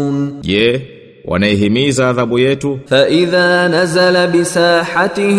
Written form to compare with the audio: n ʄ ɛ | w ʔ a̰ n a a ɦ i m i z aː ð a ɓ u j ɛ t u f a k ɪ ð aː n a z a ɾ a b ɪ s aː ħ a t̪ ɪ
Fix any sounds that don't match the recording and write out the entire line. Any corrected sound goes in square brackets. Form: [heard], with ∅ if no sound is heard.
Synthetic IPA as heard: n ʄ ɛ | w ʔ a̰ n a [ɛ] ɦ i m i z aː ð a ɓ u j ɛ t u f a [ʔ] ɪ ð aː n a z a [l] a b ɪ s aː ħ a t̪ ɪ